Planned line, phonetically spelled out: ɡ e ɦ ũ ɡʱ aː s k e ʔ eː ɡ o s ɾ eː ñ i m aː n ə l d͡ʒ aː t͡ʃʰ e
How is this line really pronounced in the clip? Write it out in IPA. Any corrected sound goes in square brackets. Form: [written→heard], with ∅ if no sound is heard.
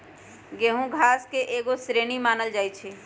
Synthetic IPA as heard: ɡ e ɦ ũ ɡʱ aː s k e ʔ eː ɡ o s ɾ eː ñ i m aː n ə l d͡ʒ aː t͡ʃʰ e